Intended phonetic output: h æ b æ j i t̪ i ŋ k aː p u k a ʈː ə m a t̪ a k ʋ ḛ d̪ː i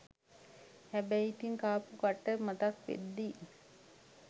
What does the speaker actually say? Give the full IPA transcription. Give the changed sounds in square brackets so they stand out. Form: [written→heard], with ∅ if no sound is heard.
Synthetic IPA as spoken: h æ b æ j i t̪ i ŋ k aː p u k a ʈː ə m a t̪ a k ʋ ḛ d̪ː i